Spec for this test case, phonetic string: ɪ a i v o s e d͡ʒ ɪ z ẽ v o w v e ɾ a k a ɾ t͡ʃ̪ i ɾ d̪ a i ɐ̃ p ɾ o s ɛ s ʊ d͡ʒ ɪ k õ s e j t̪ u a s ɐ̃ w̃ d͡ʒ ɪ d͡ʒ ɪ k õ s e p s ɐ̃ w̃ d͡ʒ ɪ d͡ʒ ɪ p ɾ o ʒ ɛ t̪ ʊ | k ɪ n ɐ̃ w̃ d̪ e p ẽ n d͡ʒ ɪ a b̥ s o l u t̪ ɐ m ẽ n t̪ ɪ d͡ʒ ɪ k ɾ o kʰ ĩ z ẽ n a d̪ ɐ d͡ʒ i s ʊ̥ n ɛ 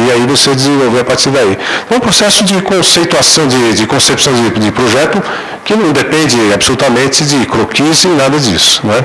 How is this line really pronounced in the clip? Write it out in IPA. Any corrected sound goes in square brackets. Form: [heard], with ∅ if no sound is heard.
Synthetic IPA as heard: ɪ a i v o s e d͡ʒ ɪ z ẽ v o w v e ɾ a [p] a ɾ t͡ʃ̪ i ɾ d̪ a i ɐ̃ p ɾ o s ɛ s ʊ d͡ʒ ɪ k õ s e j t̪ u a s ɐ̃ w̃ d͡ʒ ɪ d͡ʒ ɪ k õ s e p s ɐ̃ w̃ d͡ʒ ɪ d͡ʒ ɪ p ɾ o ʒ ɛ t̪ ʊ | k ɪ n ɐ̃ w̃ d̪ e p ẽ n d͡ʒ ɪ a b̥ s o l u t̪ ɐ m ẽ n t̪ ɪ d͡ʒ ɪ k ɾ o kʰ [i] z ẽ n a d̪ ɐ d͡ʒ i s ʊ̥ n ɛ